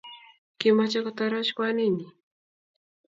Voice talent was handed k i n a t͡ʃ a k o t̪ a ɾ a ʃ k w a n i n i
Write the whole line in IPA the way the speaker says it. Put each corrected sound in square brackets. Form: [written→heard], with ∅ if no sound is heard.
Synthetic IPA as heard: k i [n→m] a t͡ʃ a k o t̪ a ɾ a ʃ k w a n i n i